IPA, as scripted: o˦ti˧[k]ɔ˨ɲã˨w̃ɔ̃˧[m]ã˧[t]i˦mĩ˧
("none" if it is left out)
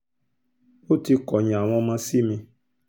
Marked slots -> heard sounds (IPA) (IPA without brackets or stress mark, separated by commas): k, m, s